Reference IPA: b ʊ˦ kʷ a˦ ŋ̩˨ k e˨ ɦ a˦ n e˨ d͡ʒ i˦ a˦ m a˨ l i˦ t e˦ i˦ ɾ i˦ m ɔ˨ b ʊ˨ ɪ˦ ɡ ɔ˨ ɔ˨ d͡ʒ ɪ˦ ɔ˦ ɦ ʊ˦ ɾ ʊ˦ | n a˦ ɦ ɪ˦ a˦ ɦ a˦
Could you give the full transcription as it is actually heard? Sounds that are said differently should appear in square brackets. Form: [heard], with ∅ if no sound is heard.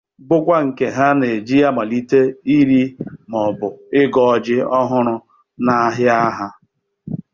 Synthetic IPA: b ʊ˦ kʷ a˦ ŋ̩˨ k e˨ ɦ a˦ n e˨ d͡ʒ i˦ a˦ m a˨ l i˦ t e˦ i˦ ɾ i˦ m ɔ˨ b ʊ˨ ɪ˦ ɡ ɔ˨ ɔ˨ d͡ʒ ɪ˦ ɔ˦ ɦ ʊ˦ ɾ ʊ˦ | n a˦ ɦ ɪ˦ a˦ ɦ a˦